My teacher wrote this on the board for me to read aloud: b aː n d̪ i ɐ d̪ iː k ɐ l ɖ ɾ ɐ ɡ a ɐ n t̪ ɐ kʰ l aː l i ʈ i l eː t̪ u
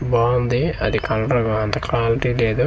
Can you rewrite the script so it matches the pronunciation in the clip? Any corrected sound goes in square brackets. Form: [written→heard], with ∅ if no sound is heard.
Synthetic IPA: b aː n d̪ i ɐ d̪ [iː→i] k ɐ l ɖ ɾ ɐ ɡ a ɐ n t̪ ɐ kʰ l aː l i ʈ i l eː [t̪→d̪] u